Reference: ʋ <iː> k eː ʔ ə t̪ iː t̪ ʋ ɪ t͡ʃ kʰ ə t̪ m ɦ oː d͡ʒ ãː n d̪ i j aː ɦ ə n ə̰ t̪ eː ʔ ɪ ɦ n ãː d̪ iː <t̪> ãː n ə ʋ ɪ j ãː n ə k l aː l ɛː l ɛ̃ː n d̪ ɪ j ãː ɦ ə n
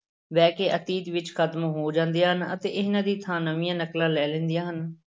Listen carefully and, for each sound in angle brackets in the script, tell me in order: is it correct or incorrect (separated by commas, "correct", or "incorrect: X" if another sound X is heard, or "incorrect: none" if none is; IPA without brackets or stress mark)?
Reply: incorrect: ɛː, incorrect: t̪ʰ